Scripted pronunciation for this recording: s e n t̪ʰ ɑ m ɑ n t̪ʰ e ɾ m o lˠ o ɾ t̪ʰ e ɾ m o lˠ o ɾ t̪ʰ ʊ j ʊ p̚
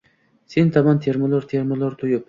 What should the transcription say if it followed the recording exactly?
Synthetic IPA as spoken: s e n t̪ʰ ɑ m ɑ n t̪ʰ e ɾ m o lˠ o ɾ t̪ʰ e ɾ m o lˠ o ɾ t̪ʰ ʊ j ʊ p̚